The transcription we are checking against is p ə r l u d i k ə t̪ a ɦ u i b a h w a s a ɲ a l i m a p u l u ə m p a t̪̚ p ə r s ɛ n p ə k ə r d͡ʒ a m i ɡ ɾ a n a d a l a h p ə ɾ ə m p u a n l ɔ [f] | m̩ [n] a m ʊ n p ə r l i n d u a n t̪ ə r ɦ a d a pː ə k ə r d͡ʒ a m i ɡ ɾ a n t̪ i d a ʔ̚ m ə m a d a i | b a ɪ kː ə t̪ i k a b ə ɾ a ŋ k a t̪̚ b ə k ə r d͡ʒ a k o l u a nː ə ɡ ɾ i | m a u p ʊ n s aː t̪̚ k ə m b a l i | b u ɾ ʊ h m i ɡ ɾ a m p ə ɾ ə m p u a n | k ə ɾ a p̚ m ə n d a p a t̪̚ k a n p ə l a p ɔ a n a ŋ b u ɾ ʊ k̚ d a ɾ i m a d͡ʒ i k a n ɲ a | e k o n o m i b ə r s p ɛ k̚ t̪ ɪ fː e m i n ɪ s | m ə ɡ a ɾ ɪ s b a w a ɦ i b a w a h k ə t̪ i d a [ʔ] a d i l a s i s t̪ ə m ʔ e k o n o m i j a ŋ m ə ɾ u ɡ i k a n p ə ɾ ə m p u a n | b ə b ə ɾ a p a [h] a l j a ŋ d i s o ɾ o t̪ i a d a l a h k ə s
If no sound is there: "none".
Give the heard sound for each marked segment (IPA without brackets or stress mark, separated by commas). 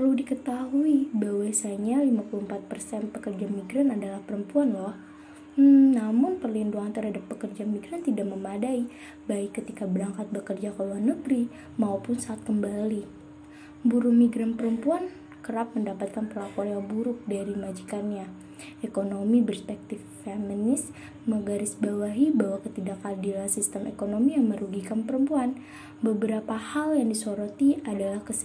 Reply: h, n, k, h